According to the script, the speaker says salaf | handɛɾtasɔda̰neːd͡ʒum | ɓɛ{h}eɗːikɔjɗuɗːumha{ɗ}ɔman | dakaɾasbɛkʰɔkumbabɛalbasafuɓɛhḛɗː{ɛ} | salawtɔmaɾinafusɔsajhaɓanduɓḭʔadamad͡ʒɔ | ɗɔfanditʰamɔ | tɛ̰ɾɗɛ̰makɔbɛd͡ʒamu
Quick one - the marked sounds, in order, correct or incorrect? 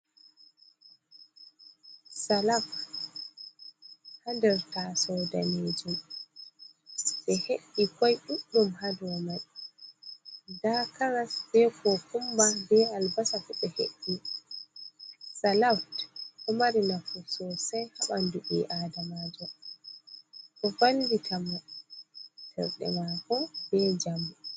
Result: correct, incorrect, incorrect

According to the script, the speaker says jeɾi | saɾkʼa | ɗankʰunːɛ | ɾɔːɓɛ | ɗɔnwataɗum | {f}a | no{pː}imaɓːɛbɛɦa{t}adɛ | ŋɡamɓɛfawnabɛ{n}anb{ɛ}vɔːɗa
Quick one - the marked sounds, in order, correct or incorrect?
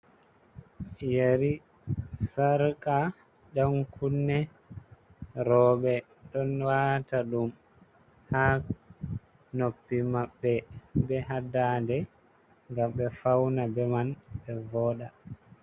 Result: incorrect, correct, incorrect, incorrect, correct

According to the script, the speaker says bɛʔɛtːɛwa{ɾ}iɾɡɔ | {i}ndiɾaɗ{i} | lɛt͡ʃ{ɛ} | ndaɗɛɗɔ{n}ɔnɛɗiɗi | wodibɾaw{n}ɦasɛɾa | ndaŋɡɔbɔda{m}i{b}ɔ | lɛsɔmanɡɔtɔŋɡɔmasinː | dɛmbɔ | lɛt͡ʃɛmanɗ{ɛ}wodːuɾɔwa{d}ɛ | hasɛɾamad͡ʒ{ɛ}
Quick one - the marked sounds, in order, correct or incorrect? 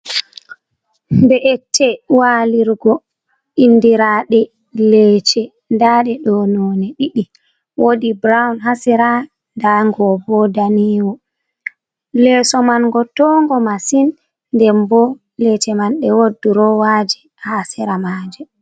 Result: incorrect, correct, incorrect, correct, correct, correct, incorrect, incorrect, correct, incorrect, correct

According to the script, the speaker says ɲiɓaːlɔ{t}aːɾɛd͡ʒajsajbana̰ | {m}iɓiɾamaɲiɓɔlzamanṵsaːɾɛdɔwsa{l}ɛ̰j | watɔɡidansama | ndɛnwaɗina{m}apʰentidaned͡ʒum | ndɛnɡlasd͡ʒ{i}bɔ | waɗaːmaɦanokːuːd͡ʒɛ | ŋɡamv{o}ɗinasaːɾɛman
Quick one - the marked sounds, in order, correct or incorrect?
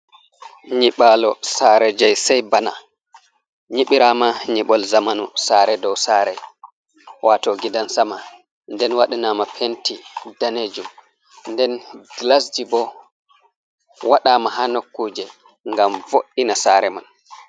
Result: incorrect, incorrect, incorrect, correct, correct, correct

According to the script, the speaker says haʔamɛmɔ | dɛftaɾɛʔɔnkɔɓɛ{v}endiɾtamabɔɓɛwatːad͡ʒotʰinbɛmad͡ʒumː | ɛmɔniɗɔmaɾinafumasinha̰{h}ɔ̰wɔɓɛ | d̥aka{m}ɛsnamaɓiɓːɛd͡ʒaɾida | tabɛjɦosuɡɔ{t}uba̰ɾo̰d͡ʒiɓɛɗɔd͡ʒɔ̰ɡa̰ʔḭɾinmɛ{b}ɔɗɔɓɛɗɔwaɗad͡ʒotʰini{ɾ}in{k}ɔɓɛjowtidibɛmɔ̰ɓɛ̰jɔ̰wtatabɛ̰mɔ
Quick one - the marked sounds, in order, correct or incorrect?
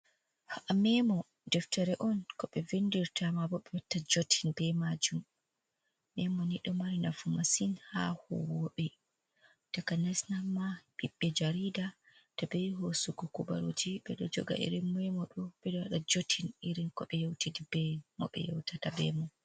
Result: correct, correct, incorrect, incorrect, incorrect, correct, correct

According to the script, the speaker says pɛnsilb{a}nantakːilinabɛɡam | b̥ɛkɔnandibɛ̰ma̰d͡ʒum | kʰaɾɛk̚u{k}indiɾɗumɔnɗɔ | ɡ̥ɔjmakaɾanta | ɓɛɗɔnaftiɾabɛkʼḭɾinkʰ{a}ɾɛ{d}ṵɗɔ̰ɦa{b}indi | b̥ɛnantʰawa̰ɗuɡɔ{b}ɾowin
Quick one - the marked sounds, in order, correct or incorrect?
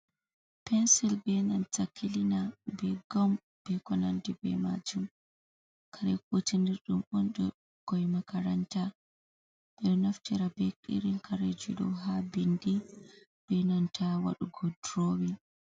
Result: incorrect, incorrect, correct, incorrect, correct, incorrect

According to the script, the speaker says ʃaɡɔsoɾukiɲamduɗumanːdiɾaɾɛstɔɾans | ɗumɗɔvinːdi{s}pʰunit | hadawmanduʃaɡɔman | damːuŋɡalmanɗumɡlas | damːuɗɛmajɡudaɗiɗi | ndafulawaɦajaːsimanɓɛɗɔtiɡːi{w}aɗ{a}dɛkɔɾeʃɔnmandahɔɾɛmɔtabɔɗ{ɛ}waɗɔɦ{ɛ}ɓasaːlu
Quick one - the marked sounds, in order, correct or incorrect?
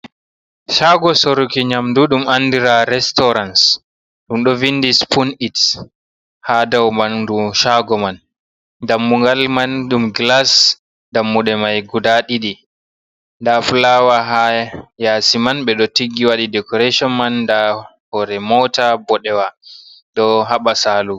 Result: correct, correct, incorrect, correct, incorrect

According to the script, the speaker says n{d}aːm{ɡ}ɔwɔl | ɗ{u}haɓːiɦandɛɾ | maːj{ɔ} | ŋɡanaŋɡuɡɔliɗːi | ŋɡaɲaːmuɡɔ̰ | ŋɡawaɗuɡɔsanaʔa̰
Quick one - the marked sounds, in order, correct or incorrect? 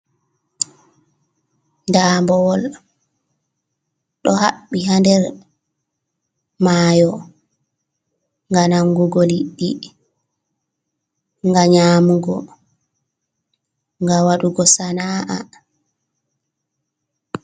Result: correct, incorrect, incorrect, correct

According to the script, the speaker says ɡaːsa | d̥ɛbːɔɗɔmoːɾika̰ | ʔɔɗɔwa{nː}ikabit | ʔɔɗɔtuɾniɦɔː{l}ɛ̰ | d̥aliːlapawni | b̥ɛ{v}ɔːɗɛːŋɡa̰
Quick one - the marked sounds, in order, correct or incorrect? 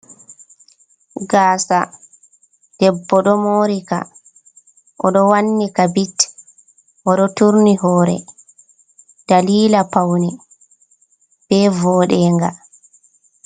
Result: correct, incorrect, correct

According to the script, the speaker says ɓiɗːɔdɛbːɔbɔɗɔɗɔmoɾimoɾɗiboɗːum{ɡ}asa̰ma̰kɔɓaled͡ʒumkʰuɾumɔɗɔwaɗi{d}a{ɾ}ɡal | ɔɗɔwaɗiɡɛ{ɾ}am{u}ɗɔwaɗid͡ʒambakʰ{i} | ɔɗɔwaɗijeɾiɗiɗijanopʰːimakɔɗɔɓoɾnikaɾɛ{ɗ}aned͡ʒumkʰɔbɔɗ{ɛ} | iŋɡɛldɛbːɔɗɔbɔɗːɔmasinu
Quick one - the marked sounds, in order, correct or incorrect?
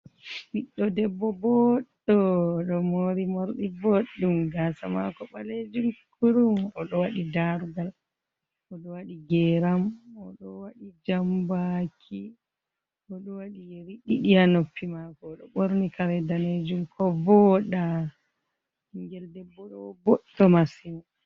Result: correct, correct, correct, correct, incorrect, correct, incorrect, incorrect

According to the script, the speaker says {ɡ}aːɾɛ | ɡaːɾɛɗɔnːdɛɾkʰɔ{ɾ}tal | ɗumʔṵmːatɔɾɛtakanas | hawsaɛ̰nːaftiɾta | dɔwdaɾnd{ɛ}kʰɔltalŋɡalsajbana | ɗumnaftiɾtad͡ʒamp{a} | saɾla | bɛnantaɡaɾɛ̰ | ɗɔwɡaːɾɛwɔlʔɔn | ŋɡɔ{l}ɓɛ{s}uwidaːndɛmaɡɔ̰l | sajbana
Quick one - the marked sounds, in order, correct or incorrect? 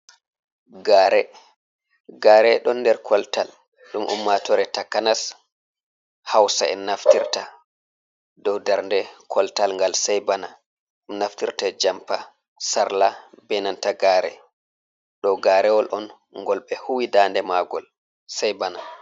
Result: correct, incorrect, correct, correct, correct, incorrect

